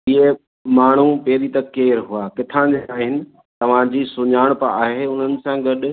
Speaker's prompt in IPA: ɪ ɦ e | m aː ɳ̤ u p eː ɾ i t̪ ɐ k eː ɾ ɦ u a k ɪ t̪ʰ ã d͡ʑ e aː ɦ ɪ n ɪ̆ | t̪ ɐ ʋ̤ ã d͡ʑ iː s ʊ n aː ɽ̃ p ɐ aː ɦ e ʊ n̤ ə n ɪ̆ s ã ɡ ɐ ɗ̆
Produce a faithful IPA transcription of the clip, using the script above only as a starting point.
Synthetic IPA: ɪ ɦ e | m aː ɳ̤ u p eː ɾ i t̪ ɐ k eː ɾ ɦ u a k ɪ t̪ʰ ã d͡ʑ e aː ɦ ɪ n ɪ̆ | t̪ ɐ ʋ̤ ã d͡ʑ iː s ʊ ɲ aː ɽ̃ p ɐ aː ɦ e ʊ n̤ ə n ɪ̆ s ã ɡ ɐ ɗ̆